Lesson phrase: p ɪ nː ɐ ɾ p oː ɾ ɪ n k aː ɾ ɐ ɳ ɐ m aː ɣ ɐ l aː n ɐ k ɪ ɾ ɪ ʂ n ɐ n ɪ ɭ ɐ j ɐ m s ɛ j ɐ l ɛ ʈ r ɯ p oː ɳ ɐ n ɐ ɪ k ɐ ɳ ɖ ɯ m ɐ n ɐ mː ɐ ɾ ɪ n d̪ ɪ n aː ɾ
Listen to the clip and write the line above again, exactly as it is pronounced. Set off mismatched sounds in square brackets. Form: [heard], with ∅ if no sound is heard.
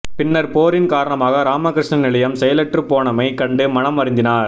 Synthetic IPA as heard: p ɪ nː ɐ ɾ p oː ɾ ɪ n k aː ɾ ɐ ɳ ɐ m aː ɣ ɐ [ɾ] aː [m] ɐ k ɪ ɾ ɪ ʂ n ɐ n ɪ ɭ ɐ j ɐ m s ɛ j ɐ l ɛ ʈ r ɯ p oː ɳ ɐ [m] ɐ ɪ k ɐ ɳ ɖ ɯ m ɐ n ɐ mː ɐ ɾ ɪ n d̪ ɪ n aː ɾ